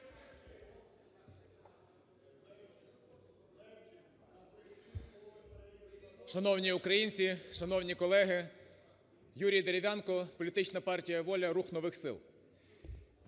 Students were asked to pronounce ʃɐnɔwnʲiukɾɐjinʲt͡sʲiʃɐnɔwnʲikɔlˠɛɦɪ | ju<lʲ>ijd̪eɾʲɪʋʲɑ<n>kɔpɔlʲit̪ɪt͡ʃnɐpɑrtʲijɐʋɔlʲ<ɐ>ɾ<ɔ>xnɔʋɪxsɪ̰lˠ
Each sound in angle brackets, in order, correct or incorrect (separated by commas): incorrect, correct, correct, incorrect